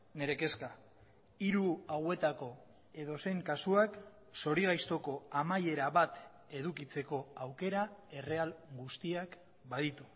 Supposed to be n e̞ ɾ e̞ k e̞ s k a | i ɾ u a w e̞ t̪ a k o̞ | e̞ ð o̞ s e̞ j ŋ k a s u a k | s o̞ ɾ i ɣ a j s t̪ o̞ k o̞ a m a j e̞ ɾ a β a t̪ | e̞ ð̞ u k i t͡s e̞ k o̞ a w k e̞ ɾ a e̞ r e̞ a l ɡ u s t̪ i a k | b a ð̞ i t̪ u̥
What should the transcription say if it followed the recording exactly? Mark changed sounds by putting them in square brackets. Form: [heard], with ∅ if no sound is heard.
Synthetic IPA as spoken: n e̞ ɾ e̞ k e̞ s k a | i ɾ u a w e̞ t̪ a k o̞ | e̞ ð o̞ s e̞ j ŋ k a s u a k | s o̞ ɾ i ɣ a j s t̪ o̞ k o̞ a m a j e̞ ɾ a β a t̪ | e̞ ð̞ u k i t͡s e̞ k o̞ a w k e̞ ɾ a e̞ r e̞ a l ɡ u s t̪ i a k | b a ð̞ i t̪ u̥